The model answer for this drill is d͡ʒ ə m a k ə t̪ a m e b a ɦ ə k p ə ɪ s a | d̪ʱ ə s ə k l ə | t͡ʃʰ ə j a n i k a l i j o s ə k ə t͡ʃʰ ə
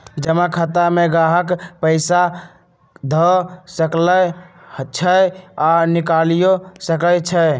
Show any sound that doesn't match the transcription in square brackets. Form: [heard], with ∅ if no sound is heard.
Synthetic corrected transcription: d͡ʒ ə m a [kʰ] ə t̪ a m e [ɡ] a ɦ ə k p ə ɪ s a | d̪ʱ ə s ə k l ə | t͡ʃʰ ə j a n i k a l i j o s ə k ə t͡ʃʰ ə